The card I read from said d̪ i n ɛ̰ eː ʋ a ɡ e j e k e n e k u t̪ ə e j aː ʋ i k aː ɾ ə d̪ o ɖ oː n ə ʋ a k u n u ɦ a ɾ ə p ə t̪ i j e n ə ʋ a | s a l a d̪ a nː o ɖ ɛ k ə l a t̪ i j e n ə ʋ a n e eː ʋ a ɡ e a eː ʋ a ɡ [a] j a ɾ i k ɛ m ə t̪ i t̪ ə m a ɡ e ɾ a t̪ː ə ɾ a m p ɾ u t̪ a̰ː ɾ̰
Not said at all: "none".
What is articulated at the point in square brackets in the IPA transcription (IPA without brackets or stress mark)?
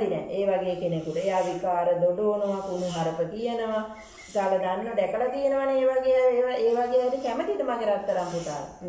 e